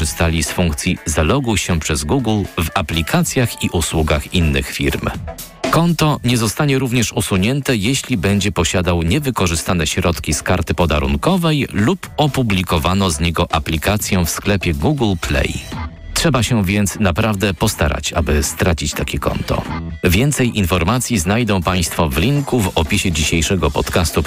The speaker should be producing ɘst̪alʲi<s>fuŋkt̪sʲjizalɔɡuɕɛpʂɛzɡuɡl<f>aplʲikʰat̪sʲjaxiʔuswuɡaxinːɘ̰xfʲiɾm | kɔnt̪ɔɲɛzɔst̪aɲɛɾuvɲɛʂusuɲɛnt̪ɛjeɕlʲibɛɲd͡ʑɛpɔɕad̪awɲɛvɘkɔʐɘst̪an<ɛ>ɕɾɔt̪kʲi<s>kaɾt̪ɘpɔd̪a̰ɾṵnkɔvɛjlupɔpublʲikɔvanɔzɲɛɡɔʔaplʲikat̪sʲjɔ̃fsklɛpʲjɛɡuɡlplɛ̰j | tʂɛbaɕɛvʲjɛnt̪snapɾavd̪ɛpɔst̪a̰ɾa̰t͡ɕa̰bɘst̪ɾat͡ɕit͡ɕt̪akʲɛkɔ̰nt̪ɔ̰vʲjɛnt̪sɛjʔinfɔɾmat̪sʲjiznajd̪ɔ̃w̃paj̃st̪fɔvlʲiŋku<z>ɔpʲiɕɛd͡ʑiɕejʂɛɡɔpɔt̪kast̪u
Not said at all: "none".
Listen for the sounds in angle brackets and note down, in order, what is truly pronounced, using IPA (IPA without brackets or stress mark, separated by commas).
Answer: s, v, ɛ, s, v